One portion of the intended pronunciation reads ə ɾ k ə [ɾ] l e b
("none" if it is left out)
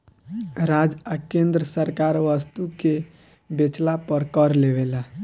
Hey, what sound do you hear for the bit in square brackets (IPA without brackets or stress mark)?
ɾ